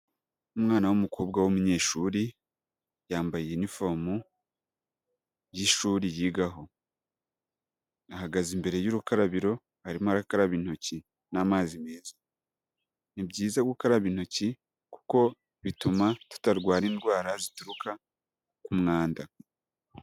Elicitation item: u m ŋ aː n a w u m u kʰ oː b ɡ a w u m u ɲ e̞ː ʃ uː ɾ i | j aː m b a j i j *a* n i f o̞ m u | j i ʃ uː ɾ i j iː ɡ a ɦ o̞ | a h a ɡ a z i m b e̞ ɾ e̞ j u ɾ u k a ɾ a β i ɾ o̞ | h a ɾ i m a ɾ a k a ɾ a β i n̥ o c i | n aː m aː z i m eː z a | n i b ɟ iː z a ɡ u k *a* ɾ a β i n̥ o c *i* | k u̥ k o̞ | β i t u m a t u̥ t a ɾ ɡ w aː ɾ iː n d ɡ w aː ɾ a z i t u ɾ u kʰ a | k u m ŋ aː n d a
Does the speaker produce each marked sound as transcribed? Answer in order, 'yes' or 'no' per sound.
no, yes, yes

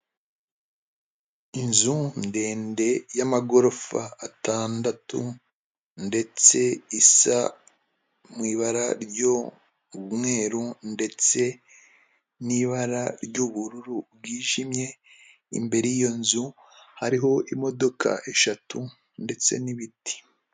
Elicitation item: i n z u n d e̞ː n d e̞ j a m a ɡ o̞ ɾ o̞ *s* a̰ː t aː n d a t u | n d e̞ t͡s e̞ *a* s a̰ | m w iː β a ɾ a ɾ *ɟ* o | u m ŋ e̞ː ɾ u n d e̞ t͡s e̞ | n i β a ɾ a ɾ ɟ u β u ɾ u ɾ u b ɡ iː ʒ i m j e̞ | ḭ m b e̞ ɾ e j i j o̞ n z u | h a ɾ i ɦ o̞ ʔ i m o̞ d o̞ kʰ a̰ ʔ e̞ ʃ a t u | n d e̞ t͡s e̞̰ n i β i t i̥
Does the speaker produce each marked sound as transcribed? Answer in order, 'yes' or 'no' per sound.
no, no, yes

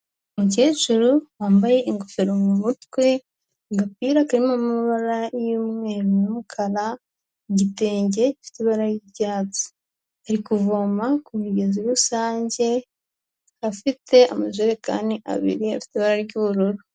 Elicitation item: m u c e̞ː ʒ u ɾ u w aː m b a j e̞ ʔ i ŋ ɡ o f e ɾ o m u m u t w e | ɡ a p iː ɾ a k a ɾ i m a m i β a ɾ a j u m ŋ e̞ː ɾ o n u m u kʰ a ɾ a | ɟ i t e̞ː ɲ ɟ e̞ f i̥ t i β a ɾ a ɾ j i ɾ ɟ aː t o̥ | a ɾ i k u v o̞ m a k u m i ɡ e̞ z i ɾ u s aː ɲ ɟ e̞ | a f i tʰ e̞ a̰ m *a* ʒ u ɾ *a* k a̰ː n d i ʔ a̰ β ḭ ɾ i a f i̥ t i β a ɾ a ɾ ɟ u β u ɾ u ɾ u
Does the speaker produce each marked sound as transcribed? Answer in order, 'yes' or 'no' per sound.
yes, no

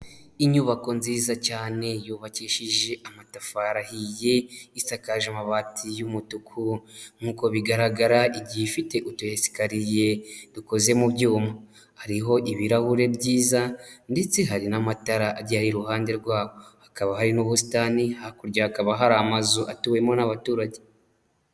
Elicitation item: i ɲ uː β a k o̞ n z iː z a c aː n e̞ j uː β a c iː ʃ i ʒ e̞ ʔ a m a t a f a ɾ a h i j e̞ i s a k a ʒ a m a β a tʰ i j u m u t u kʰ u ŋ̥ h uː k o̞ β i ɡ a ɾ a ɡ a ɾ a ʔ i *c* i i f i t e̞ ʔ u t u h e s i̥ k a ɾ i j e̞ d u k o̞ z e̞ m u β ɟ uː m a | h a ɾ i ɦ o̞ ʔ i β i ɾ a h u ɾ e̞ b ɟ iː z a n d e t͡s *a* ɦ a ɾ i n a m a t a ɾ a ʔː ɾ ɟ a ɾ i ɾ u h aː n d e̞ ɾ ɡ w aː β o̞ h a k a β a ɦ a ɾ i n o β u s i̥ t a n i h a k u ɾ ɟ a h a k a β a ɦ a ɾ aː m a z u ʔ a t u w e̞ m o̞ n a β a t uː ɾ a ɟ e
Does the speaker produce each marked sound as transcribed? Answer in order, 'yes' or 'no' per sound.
no, no

